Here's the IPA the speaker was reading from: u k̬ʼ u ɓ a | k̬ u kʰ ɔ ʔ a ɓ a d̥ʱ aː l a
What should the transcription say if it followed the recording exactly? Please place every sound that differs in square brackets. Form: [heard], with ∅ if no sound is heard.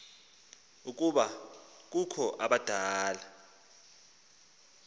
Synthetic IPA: u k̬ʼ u ɓ a | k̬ u kʰ ɔ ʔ a ɓ a d̥ʱ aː l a